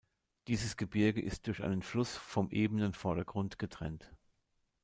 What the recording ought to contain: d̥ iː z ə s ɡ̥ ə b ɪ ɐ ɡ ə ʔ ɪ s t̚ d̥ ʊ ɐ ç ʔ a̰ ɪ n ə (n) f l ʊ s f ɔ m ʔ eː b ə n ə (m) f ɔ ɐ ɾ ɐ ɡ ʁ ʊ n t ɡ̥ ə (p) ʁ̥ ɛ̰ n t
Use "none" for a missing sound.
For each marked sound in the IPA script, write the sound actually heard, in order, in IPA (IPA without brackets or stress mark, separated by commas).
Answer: n, n, t